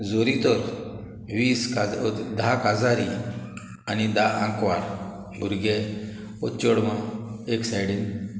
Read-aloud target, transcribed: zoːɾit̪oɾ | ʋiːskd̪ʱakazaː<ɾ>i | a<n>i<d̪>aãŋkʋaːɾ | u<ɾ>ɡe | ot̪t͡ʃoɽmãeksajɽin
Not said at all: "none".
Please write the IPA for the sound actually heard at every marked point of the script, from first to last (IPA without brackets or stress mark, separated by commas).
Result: ɾ, n, d̪, ɾ